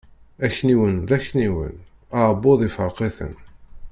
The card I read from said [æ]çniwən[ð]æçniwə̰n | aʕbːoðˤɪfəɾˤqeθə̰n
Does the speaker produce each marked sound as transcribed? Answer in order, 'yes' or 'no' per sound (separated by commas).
yes, yes